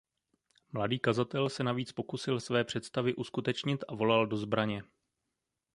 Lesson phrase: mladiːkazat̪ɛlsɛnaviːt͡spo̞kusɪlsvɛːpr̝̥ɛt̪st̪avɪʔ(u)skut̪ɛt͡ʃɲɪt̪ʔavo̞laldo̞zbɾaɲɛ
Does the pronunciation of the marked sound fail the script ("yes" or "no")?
no